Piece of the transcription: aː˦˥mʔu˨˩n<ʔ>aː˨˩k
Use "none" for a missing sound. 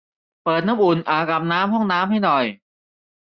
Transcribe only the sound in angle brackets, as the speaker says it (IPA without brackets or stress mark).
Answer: ʔ